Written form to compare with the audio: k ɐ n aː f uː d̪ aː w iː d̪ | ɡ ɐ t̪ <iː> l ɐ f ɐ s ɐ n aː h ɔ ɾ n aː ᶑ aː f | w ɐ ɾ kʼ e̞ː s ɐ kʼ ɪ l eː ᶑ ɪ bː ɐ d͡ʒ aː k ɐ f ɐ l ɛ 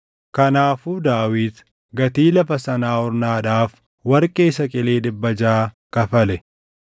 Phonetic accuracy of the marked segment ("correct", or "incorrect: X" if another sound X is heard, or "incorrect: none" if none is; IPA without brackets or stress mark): correct